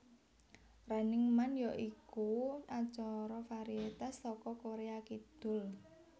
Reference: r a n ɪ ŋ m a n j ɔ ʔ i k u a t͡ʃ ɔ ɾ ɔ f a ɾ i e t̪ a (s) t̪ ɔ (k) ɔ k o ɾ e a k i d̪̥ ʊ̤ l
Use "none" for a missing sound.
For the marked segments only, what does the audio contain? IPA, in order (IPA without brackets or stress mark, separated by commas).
s, k